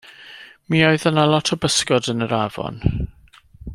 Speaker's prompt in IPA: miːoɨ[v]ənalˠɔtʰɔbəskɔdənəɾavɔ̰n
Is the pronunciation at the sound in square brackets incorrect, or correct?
incorrect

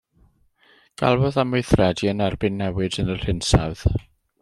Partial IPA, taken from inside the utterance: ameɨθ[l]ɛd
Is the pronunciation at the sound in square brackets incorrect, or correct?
incorrect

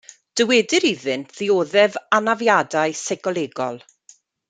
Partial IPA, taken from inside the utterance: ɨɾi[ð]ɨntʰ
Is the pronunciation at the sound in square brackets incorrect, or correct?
correct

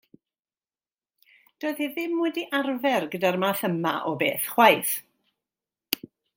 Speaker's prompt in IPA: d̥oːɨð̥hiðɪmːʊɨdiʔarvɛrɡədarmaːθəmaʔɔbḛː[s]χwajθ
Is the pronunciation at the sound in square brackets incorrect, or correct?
incorrect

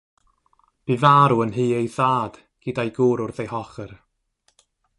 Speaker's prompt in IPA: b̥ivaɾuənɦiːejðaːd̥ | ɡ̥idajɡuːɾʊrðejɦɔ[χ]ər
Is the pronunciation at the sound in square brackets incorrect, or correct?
correct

